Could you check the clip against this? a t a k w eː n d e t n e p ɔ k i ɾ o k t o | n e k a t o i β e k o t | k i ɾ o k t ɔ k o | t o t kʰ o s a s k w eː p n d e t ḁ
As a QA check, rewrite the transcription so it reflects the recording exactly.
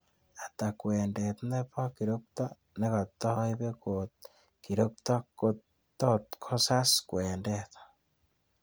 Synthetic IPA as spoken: a t a k w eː n d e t n e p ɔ k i ɾ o k t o | n e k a t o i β e k o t | k i ɾ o k t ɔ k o | t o t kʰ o s a s k w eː n d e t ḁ

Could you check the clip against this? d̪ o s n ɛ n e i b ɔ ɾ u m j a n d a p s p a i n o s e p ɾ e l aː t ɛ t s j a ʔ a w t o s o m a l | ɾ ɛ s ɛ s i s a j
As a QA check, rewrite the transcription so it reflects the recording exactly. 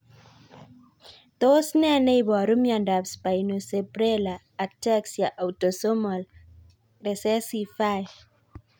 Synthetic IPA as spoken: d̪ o s n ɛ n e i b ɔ ɾ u m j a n d a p s p a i n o s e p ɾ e l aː t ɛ k s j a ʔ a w t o s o m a l | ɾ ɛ s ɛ s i f a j

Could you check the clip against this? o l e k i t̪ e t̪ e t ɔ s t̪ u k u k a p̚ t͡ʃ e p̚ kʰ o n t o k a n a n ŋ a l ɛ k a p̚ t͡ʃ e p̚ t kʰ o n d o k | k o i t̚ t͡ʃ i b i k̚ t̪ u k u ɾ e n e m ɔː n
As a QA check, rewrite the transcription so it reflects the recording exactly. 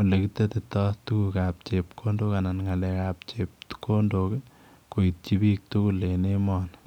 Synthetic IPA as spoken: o l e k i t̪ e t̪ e t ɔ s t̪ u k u k a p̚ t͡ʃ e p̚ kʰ o n d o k a n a n ŋ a l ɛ k a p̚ t͡ʃ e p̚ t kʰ o n d o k | k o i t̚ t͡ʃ i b i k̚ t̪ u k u l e n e m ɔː n

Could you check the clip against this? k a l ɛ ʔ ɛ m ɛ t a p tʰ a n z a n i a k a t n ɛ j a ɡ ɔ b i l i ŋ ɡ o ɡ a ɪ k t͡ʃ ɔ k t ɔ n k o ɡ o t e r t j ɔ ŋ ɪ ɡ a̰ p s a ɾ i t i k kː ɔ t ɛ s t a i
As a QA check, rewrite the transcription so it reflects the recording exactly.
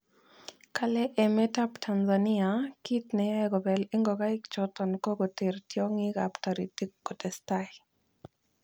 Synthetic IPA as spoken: k a l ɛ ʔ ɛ m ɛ t a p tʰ a n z a n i a k i t n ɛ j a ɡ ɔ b ɛ l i ŋ ɡ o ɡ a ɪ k t͡ʃ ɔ t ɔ n k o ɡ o t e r t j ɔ ŋ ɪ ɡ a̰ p t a ɾ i t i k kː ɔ t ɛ s t a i

